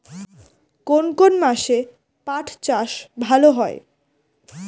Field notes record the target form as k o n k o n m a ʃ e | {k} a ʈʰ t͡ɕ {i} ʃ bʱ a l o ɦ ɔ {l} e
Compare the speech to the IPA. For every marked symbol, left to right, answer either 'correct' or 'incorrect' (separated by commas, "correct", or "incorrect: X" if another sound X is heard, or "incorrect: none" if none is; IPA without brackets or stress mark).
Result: incorrect: p, incorrect: a, incorrect: none